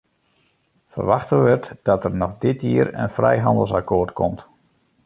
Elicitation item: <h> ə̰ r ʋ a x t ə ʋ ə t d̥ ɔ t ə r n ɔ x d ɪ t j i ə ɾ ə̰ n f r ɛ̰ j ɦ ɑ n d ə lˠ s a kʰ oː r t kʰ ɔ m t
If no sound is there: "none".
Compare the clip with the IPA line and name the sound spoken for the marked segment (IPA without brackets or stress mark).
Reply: f